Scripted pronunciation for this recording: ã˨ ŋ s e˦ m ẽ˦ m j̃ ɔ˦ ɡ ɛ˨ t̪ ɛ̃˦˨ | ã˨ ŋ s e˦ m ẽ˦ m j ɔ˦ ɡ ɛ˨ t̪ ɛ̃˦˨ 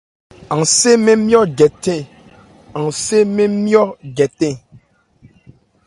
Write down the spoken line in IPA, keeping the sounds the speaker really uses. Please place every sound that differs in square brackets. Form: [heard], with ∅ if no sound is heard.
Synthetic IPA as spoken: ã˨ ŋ s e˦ m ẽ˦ m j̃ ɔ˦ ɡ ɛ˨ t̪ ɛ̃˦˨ | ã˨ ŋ s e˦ m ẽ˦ m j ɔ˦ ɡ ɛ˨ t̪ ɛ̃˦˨